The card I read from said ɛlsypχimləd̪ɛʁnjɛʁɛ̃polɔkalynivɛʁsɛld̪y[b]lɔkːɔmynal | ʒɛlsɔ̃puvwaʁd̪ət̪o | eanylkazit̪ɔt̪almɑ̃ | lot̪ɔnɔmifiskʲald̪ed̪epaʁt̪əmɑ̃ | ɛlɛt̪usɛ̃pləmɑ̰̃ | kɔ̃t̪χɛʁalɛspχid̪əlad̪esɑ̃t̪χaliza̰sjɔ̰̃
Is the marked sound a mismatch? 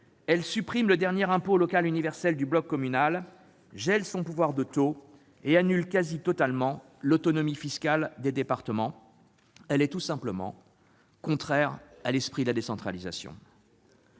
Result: no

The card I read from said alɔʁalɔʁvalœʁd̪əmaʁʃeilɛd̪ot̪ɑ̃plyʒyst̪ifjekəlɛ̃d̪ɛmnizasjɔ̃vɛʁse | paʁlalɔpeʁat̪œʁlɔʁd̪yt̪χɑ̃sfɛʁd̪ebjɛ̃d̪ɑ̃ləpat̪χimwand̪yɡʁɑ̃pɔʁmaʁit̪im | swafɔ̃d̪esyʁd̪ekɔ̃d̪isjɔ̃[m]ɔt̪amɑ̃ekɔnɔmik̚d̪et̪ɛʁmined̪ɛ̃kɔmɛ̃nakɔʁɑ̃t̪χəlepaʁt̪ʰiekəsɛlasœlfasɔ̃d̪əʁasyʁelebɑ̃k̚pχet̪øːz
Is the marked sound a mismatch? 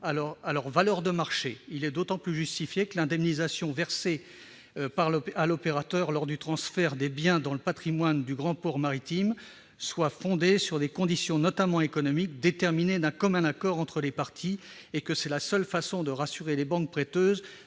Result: yes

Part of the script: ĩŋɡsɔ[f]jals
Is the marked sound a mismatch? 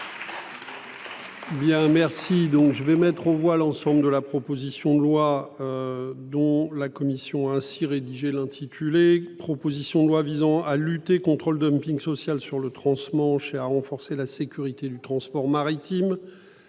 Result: yes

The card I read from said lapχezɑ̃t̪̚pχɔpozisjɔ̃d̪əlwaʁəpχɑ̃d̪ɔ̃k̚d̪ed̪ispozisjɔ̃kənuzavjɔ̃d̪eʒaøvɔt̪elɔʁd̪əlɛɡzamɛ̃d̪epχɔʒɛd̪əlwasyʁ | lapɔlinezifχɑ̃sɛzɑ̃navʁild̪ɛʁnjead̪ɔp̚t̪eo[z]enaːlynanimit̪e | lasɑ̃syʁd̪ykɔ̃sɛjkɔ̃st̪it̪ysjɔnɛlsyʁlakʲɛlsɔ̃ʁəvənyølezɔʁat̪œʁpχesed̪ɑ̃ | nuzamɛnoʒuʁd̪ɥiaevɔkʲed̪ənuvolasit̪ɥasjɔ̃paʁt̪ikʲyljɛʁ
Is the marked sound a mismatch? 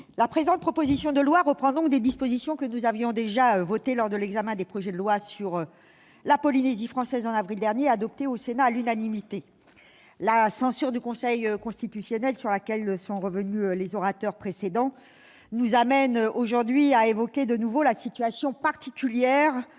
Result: yes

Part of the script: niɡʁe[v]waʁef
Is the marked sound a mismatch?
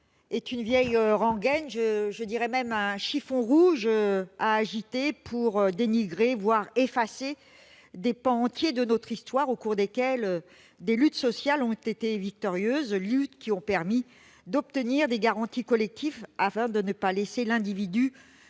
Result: no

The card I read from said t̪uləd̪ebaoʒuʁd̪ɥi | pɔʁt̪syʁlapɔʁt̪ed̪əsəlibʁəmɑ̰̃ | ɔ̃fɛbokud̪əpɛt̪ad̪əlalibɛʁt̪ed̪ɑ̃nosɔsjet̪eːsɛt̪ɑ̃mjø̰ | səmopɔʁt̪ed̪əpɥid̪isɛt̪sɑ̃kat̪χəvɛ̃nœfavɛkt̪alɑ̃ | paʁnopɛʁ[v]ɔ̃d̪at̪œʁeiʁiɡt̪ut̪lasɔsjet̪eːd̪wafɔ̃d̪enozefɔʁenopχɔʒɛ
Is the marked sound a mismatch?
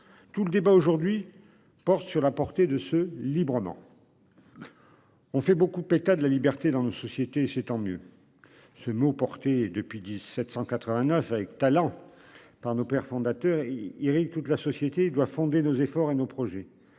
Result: yes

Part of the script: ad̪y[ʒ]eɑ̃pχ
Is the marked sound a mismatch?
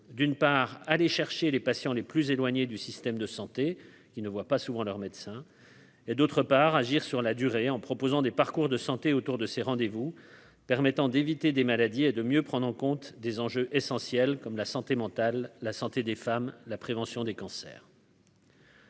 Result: yes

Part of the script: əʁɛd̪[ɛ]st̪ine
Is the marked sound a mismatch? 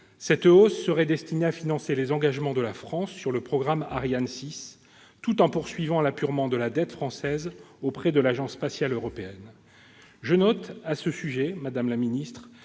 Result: no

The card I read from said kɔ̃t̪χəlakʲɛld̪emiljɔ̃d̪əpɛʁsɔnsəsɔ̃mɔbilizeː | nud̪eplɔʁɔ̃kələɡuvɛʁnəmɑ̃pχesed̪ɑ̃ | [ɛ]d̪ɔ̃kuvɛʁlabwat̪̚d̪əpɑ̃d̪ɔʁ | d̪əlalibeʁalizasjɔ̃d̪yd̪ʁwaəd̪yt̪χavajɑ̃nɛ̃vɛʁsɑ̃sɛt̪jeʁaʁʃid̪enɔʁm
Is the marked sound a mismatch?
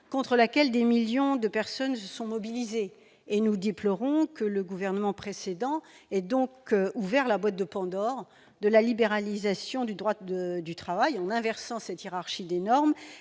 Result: no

